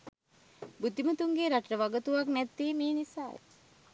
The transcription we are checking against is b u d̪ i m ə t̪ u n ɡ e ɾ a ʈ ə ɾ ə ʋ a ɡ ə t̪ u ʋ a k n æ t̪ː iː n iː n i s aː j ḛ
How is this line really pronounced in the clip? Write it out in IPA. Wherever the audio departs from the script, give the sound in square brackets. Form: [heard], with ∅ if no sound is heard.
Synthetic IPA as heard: b u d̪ i m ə t̪ u [ŋ] ɡ e ɾ a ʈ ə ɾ ə ʋ a ɡ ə t̪ u ʋ a k n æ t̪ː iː [m] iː n i s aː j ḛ

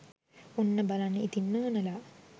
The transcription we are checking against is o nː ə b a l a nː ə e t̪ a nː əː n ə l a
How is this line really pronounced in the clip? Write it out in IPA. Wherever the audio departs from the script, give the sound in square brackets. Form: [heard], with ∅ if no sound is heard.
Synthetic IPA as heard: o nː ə b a l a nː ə [i] t̪ [i] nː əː n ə l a

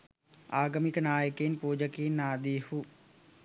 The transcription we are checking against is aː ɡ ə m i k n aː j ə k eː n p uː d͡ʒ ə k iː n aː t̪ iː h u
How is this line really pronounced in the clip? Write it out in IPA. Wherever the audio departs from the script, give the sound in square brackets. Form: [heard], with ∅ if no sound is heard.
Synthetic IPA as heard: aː ɡ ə m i k n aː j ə k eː n p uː d͡ʒ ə k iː n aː [d̪] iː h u

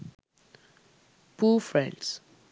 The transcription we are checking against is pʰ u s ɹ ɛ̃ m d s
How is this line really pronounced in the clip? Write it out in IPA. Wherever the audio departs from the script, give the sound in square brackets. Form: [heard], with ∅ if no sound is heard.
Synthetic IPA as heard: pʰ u [f] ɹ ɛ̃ [n] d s

